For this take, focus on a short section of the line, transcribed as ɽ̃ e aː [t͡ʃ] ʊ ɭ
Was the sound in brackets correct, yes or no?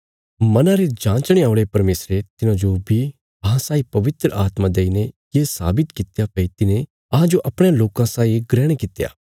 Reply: no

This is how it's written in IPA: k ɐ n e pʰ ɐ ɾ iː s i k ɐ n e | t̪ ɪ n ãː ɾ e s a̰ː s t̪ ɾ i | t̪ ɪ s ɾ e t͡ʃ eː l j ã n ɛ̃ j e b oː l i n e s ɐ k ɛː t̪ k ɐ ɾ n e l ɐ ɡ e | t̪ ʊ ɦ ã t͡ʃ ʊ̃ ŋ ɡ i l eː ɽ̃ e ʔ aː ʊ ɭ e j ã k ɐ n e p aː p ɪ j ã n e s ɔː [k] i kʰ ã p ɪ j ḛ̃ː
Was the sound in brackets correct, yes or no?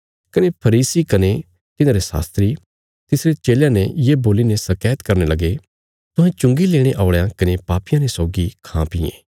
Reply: no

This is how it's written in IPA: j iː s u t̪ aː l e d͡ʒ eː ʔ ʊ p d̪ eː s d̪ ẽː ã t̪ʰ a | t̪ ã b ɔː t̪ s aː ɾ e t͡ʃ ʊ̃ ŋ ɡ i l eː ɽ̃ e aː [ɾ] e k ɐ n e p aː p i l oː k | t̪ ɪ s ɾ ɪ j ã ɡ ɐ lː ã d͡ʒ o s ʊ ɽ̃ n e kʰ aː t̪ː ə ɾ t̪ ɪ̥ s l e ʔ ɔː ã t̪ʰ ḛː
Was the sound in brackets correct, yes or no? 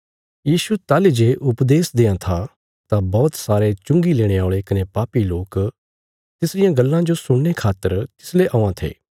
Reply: no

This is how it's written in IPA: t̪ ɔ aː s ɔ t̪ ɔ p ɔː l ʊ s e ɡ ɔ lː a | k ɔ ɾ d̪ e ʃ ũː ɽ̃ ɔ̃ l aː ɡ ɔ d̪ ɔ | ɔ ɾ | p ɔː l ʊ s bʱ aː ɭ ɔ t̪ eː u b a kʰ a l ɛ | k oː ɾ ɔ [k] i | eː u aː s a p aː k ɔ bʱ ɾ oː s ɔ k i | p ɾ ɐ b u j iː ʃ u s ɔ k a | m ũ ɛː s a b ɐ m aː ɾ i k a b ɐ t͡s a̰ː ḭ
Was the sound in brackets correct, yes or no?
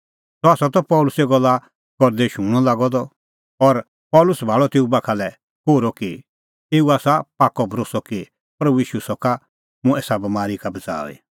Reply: yes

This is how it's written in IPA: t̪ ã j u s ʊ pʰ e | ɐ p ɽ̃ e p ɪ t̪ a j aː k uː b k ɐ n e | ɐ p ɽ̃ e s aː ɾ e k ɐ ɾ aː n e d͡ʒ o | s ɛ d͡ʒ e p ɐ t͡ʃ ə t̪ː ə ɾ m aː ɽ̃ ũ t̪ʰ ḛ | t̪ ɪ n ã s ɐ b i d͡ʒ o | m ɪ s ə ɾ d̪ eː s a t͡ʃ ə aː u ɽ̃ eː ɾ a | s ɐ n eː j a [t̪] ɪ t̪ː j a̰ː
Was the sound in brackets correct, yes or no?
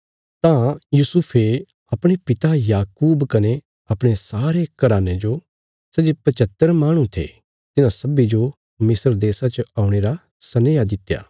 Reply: no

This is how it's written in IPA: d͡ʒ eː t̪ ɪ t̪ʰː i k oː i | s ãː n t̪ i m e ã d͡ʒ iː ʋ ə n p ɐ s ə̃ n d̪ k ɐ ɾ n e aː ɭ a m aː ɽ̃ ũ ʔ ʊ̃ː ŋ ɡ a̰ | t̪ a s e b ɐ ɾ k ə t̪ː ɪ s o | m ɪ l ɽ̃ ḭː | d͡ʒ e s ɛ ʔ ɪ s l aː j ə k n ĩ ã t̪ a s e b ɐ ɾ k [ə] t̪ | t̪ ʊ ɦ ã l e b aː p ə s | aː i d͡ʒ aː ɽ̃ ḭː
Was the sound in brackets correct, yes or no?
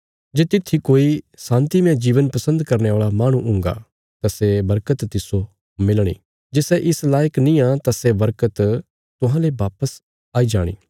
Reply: yes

